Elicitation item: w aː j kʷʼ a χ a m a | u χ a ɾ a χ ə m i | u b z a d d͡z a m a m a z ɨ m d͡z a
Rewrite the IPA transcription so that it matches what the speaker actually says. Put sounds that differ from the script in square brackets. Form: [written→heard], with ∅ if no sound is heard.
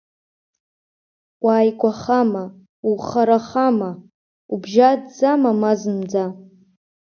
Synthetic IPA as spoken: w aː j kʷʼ a χ a m a | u χ a ɾ a χ [ə→a] m [i→a] | u b [z→ʒ] a d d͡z a m a m a z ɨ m d͡z a

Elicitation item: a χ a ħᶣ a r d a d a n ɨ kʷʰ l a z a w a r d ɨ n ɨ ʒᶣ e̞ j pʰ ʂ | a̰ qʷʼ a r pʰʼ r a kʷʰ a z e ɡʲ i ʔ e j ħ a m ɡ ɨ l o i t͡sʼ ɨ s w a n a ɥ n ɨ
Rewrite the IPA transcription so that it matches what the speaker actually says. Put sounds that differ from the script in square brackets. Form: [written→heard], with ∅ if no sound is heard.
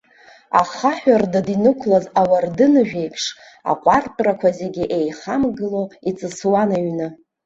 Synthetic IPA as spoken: a χ a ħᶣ a r d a d [a→i] n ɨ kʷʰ l a z a w a r d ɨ n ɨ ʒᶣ e̞ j pʰ ʂ | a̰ qʷʼ a r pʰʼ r a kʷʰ a z e ɡʲ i ʔ e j [ħ→χ] a m ɡ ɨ l o i t͡sʼ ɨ s w a n a ɥ n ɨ

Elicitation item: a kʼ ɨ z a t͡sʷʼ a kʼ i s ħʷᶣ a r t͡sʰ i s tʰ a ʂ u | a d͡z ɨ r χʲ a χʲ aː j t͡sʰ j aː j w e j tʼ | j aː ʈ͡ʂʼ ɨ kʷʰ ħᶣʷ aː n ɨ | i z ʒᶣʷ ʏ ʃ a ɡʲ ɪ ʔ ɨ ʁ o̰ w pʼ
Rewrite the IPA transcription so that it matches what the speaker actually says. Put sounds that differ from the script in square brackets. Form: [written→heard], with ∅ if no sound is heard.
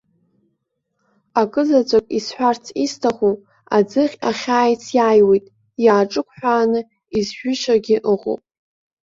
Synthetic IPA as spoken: a kʼ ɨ z a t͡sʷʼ a kʼ i s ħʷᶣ a r t͡sʰ i s tʰ a [ʂ→χ] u | a d͡z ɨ [r→∅] χʲ a χʲ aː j t͡sʰ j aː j w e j tʼ | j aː ʈ͡ʂʼ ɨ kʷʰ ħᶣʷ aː n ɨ | i z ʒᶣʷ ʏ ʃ a ɡʲ ɪ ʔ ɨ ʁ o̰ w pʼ

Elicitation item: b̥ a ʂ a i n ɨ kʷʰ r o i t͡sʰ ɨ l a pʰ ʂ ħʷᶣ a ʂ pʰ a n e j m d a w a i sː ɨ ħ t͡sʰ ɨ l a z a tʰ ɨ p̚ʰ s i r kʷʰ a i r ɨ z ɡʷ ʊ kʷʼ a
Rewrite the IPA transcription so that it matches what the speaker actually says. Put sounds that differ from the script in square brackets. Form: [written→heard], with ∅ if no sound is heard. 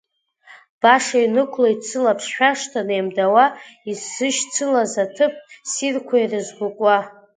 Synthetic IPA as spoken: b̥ a ʂ a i n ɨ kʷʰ [r→l] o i t͡sʰ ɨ l a pʰ ʂ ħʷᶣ a ʂ [pʰ→tʰ] a n e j m d a w a i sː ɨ [ħ→ʃ] t͡sʰ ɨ l a z a tʰ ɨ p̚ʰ s i r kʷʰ a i r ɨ z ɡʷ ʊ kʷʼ a

